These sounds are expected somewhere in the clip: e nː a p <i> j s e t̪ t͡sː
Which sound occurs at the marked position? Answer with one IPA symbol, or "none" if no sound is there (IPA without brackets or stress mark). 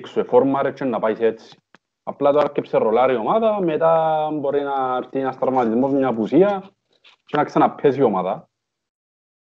a